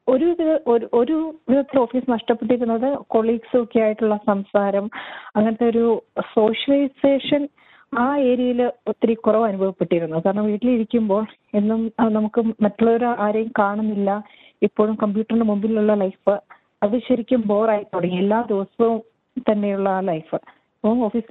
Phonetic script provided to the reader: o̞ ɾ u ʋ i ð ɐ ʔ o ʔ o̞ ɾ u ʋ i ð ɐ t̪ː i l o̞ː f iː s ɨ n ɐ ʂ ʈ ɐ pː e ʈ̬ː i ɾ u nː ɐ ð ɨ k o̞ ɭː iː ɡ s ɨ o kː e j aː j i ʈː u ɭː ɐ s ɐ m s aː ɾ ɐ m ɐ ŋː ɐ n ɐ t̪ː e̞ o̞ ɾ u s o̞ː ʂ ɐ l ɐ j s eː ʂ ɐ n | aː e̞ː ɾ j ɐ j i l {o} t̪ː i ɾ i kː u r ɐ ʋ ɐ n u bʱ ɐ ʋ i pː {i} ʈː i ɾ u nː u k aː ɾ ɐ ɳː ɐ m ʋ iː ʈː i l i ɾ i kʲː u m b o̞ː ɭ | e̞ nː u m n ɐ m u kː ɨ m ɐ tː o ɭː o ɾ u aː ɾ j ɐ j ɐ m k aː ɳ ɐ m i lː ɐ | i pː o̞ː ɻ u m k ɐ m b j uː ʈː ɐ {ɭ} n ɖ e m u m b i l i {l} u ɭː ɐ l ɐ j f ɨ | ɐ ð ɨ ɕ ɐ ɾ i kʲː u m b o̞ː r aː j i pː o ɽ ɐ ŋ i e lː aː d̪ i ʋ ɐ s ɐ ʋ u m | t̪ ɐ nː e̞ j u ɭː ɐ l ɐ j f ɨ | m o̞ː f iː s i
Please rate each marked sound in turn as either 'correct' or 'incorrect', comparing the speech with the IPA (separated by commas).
correct, incorrect, incorrect, correct